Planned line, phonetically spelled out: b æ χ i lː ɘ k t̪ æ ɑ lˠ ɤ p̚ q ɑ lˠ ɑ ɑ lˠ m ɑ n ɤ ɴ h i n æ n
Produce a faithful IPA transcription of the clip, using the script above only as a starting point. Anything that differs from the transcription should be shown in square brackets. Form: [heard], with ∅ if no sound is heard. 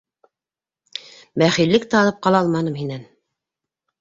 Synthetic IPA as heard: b æ χ i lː ɘ k t̪ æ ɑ lˠ ɤ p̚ q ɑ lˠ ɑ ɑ lˠ m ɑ n ɤ [m] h i n æ n